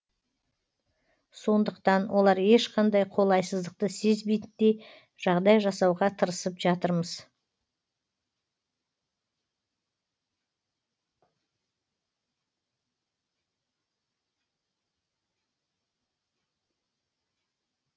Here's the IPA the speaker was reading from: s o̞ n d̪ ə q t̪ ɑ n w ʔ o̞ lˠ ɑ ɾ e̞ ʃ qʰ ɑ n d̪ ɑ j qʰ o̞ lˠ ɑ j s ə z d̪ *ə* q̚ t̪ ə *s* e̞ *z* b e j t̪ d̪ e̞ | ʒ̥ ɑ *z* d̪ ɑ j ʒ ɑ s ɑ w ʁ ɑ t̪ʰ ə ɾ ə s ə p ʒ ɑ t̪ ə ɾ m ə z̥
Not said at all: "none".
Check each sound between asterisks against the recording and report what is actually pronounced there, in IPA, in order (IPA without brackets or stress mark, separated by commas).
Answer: ə, s, z, ʁ